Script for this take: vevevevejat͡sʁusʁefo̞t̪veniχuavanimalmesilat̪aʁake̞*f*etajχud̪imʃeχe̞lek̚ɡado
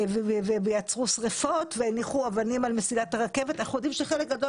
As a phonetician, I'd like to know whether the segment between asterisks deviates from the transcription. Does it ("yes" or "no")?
yes